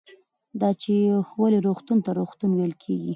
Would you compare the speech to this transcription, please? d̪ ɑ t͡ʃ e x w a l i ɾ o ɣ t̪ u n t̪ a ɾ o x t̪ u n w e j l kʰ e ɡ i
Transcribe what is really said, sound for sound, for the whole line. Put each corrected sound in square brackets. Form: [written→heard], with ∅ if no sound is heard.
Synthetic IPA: d̪ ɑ t͡ʃ e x w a l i ɾ o [ɣ→x] t̪ u n t̪ a ɾ o x t̪ u n w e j l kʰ e ɡ i